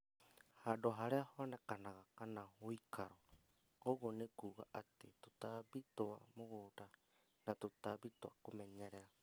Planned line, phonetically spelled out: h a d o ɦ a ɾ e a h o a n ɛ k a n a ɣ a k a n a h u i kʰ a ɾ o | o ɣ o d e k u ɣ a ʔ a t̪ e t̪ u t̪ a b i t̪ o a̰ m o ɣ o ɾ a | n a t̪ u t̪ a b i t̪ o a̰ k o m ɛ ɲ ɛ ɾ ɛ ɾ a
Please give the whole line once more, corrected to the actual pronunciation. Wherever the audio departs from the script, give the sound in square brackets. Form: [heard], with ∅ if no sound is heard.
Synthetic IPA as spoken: h a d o ɦ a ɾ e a h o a n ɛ k a n a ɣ a k a n a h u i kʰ a ɾ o | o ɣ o [n] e k u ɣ a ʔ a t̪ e t̪ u t̪ a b i t̪ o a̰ m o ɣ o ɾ a | n a t̪ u t̪ a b i t̪ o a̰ k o m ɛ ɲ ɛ ɾ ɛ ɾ a

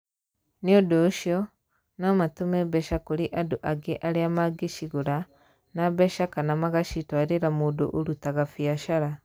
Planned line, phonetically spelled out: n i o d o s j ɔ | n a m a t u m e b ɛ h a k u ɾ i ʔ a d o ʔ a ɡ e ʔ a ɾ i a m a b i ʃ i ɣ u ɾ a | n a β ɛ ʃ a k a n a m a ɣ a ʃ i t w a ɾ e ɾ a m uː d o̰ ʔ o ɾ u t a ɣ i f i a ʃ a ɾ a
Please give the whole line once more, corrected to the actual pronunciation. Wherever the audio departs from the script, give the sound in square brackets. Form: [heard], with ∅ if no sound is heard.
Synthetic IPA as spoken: n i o d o [ʃ] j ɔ | n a m a t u m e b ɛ [ʃ] a k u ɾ i ʔ a d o ʔ a ɡ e ʔ a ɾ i a m a [ɡ] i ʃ i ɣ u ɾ a | n a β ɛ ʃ a k a n a m a ɣ a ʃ i t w a ɾ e ɾ a m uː d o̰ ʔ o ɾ u t a ɣ [a] f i a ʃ a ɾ a

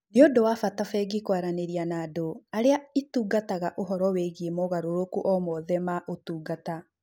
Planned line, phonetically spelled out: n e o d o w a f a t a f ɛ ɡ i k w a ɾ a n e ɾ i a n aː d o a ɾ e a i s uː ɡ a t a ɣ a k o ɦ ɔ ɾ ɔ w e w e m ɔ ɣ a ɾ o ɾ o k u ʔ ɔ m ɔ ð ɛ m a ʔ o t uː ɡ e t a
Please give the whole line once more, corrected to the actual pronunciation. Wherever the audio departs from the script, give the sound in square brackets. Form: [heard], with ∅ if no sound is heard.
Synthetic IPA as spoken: n e o d o w a f a t a f ɛ ɡ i k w a ɾ a n e ɾ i a n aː d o a ɾ e a i [t] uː ɡ a t a ɣ a [ʔ] o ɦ ɔ ɾ ɔ w e [ɣ] e m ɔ ɣ a ɾ o ɾ o k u ʔ ɔ m ɔ ð ɛ m a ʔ o t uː ɡ [a] t a

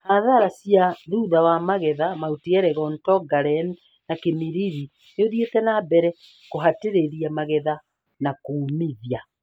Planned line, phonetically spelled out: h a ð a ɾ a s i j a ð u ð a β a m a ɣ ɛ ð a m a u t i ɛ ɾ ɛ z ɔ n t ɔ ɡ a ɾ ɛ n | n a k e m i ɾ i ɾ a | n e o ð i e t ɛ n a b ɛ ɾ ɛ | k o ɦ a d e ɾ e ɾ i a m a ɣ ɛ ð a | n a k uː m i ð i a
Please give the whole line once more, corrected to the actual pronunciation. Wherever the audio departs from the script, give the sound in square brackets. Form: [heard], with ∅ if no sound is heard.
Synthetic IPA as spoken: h a ð a ɾ a s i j a ð u ð a [w] a m a ɣ ɛ ð a m a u t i ɛ ɾ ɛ [ɣ] ɔ n t ɔ ɡ a ɾ ɛ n | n a k e m i ɾ i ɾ [i] | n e o ð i e t ɛ n a b ɛ ɾ ɛ | k o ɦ a [t] e ɾ e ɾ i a m a ɣ ɛ ð a | n a k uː m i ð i a

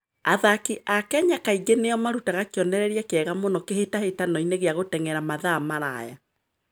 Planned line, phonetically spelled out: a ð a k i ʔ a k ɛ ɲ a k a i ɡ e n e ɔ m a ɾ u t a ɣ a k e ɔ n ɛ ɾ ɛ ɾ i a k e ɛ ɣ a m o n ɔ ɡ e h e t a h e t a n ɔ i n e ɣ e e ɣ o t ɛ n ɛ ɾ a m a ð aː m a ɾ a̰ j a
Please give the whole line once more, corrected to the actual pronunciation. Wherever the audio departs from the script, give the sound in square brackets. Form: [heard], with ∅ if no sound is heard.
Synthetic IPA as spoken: a ð a k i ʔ a k ɛ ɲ a k a i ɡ e n e ɔ m a ɾ u t a ɣ a k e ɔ n ɛ ɾ ɛ ɾ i a k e ɛ ɣ a m o n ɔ [k] e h e t a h e t a n ɔ i n e ɣ e [a] ɣ o t ɛ [ŋ] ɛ ɾ a m a ð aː m a ɾ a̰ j a

